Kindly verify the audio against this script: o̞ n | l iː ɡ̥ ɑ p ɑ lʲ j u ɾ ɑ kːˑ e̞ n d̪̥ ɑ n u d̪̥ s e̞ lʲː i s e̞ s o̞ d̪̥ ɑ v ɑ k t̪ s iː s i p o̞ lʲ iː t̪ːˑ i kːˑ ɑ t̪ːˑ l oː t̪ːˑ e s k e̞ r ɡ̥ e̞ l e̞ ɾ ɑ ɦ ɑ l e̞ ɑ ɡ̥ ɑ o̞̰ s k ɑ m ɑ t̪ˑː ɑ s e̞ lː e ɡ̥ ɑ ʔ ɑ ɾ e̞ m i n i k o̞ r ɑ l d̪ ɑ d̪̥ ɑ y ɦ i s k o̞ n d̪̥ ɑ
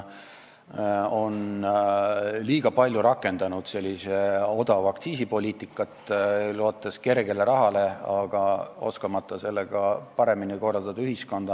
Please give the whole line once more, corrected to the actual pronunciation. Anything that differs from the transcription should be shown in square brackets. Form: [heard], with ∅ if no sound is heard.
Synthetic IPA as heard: o̞ n | l iː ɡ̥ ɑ p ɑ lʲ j u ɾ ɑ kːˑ e̞ n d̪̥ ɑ n u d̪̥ s e̞ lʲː i s e̞ [∅] o̞ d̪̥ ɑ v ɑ k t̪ s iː s i p o̞ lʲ iː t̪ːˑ i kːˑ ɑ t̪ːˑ l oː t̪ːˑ e s k e̞ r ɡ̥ e̞ l e̞ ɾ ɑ ɦ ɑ l e̞ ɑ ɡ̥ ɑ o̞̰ s k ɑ m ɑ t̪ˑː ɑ s e̞ lː e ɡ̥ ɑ [p] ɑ ɾ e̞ m i n i k o̞ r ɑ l d̪ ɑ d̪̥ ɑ y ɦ i s k o̞ n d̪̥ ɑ